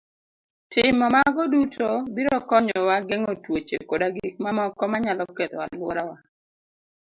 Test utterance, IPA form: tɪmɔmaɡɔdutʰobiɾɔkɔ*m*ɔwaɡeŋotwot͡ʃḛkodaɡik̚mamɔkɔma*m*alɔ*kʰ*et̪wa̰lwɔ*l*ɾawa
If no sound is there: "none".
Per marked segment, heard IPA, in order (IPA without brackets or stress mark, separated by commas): ɲ, ɲ, k, none